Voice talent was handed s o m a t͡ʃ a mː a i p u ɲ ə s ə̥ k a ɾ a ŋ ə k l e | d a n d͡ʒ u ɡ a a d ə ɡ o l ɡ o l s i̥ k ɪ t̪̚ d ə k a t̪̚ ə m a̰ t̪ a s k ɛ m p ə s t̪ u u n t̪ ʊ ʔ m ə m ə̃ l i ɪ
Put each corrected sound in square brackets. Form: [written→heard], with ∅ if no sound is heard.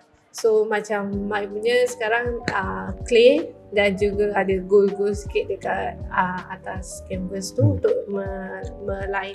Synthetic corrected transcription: s o m a t͡ʃ a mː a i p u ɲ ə s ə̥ k a ɾ a ŋ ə k l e | d a n d͡ʒ u ɡ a a d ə ɡ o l ɡ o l s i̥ k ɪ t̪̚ d ə k a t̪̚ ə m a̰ t̪ a s k ɛ m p ə s t̪ u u n t̪ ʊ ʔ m ə m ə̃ l [i→a] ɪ